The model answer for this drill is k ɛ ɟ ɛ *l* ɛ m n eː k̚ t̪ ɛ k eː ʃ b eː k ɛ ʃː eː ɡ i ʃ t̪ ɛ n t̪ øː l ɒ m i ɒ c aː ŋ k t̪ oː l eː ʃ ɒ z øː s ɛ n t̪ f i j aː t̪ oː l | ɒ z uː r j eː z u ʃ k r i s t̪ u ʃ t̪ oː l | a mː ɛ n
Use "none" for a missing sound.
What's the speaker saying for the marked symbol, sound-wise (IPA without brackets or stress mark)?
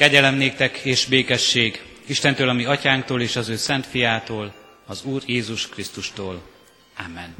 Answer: l